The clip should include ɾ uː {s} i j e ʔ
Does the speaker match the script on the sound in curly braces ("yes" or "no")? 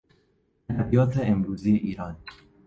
no